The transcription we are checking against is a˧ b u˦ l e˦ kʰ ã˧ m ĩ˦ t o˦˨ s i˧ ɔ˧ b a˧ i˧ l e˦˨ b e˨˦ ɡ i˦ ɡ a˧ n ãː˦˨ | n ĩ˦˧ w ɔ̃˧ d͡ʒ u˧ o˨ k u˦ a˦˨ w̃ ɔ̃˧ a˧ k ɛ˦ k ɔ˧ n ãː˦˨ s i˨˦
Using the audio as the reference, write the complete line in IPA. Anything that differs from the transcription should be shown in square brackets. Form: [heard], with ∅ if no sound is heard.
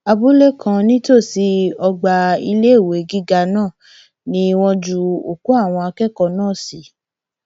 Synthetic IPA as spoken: a˧ b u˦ l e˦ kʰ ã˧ [n] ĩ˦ t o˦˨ s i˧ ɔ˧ [ɡ͡b] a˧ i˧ l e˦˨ [w] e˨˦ ɡ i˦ ɡ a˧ n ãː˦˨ | n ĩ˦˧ w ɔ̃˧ d͡ʒ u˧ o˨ k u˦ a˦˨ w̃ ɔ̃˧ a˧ k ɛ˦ k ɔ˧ n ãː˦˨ s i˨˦

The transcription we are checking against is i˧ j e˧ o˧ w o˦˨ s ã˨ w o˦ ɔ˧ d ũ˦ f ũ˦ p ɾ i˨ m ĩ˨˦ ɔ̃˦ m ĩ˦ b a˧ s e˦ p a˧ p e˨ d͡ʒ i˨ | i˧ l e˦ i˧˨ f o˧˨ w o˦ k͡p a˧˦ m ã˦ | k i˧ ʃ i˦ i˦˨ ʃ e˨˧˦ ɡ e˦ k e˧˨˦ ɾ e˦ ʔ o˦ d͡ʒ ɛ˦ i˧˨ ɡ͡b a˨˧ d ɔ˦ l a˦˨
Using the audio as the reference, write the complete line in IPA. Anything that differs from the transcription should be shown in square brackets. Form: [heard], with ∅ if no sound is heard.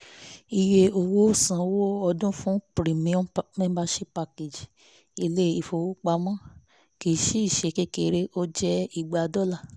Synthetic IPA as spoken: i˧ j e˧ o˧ w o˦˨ s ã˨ w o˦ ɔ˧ d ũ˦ f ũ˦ p ɾ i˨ m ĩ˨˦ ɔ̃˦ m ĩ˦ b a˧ [ʃ] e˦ p a˧ [k] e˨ d͡ʒ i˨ | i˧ l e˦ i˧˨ f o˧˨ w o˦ k͡p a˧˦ m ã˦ | k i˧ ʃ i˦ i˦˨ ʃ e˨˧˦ [k] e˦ k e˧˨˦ ɾ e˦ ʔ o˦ d͡ʒ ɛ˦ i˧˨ ɡ͡b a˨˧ d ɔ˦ l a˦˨

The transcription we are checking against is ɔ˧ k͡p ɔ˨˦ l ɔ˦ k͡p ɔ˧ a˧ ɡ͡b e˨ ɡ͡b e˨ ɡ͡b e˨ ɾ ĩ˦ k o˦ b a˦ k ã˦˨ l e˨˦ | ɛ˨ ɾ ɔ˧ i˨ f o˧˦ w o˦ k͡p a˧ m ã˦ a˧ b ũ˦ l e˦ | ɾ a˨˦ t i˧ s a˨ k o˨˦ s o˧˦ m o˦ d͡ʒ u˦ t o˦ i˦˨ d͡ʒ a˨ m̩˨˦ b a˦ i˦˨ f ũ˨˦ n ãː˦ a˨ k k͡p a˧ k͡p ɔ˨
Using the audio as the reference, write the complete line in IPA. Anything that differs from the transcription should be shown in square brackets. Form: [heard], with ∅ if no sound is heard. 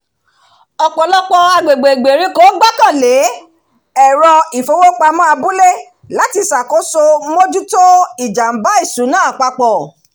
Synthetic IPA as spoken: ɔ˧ k͡p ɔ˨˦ l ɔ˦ k͡p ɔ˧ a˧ ɡ͡b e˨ ɡ͡b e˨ ɡ͡b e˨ ɾ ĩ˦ k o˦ [ɡ͡b] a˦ k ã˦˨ l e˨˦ | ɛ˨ ɾ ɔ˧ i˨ f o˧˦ w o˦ k͡p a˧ m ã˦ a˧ b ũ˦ l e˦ | [l] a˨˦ t i˧ s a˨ k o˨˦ s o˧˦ m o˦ d͡ʒ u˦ t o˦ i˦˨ d͡ʒ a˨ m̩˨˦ b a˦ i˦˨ [s] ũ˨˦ n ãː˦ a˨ [∅] k͡p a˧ k͡p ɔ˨

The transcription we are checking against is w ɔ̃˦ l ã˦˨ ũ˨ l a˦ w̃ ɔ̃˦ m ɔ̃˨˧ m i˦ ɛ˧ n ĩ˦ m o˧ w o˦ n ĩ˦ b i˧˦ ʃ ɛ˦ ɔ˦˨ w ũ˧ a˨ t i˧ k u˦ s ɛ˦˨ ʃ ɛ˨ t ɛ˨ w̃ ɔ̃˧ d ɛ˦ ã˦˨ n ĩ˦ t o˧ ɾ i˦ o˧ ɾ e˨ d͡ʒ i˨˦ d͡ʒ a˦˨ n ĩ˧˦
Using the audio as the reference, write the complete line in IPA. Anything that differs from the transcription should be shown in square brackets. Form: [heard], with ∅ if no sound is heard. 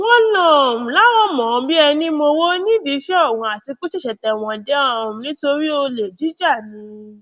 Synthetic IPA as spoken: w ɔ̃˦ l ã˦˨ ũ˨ l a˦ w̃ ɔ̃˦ m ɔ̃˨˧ [b] i˦ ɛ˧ n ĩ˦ m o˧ w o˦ n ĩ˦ [d] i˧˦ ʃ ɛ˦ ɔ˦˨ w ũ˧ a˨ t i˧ k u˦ [ʃ] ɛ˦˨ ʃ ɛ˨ t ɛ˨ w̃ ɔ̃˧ d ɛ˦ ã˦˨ n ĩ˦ t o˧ ɾ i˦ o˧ [l] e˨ d͡ʒ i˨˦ d͡ʒ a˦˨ n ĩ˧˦

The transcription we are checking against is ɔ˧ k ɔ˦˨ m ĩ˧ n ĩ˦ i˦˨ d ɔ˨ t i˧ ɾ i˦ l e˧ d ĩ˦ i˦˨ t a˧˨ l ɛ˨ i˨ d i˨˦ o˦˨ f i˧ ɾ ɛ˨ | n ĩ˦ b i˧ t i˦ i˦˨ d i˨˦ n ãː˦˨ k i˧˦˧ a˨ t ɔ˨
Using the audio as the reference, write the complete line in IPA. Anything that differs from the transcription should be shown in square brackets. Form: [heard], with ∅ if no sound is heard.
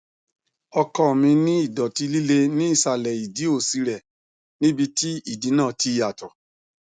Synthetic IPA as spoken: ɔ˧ k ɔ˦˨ m ĩ˧ n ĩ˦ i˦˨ d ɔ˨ t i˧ [l] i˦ l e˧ [n] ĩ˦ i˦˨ [s] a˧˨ l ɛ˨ i˨ d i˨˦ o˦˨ [s] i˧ ɾ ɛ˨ | n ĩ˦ b i˧ t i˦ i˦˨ d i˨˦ n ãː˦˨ [t] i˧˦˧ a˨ t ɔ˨

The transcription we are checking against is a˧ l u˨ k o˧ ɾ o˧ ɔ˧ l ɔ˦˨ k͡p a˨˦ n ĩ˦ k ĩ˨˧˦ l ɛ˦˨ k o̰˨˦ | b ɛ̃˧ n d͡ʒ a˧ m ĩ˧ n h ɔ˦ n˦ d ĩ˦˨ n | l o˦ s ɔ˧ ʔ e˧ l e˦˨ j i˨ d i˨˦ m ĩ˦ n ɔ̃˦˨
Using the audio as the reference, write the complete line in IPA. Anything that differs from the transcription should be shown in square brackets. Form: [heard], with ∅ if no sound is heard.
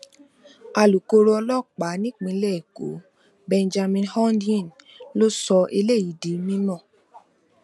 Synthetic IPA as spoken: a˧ l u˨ k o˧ ɾ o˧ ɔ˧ l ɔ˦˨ k͡p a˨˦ n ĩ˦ [k͡p] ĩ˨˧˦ l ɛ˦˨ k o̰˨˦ | b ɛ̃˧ n d͡ʒ a˧ m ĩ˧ n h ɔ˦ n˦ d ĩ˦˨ n | l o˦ s ɔ˧ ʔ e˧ l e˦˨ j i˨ d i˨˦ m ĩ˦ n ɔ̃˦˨

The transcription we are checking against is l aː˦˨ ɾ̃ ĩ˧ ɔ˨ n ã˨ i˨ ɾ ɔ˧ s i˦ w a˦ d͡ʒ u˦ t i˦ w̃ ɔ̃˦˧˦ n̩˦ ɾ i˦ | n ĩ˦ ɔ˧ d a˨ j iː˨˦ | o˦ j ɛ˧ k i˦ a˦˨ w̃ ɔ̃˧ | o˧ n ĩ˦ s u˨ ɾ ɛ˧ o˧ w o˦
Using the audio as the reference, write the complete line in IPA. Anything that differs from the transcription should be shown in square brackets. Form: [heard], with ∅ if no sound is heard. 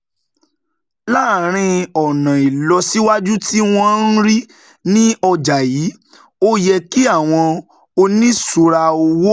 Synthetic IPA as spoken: l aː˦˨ ɾ̃ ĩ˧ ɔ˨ n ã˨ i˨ [l] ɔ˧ s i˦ w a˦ d͡ʒ u˦ t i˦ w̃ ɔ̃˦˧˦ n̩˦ ɾ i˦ | n ĩ˦ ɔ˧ [d͡ʒ] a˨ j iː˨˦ | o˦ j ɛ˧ k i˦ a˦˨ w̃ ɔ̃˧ | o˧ n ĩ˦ s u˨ ɾ [a˧] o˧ w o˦

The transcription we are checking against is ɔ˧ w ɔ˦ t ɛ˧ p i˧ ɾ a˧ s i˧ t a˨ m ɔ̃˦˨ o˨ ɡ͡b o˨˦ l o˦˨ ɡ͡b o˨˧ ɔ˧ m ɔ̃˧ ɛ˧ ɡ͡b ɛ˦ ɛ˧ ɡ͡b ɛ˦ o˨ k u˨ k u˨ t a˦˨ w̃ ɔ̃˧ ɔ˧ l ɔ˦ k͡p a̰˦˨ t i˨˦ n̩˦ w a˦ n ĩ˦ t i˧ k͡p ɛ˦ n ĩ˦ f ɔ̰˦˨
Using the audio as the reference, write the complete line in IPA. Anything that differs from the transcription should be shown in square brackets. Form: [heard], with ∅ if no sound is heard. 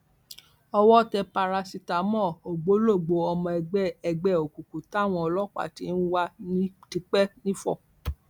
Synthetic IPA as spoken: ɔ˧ w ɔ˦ t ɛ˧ p [a˧] ɾ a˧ s i˧ t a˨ m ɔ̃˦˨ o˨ ɡ͡b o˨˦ l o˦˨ ɡ͡b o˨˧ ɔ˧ m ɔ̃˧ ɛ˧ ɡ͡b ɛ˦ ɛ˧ ɡ͡b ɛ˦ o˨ k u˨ k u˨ t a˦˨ w̃ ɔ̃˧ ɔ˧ l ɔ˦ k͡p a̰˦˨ t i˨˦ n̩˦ w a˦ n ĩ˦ t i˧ k͡p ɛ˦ n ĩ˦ f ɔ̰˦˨

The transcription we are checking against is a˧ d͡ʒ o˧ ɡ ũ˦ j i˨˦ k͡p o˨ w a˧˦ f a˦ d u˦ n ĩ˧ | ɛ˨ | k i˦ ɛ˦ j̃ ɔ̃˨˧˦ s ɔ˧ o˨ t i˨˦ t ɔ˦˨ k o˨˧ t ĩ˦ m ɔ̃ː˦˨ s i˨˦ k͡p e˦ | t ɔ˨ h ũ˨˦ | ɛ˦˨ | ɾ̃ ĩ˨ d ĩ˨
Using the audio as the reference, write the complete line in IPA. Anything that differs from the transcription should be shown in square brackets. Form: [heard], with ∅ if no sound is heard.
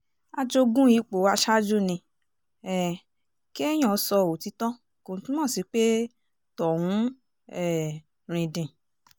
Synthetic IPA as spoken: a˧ d͡ʒ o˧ ɡ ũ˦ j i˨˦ k͡p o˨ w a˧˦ [ʃ] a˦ [d͡ʒ] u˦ n ĩ˧ | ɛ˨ | k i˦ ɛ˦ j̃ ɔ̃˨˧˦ s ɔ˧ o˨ t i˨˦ t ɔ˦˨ k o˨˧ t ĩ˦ m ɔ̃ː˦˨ s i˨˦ k͡p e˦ | t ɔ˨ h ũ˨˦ | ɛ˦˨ | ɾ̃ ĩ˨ d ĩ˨

